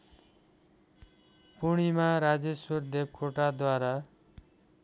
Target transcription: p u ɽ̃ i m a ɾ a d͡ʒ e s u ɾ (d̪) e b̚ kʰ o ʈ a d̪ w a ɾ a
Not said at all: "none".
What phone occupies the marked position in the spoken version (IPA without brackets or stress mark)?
d̪